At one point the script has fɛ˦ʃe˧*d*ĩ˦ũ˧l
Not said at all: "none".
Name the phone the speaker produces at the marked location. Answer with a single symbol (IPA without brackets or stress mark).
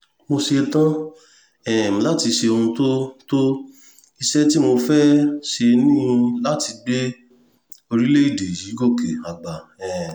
n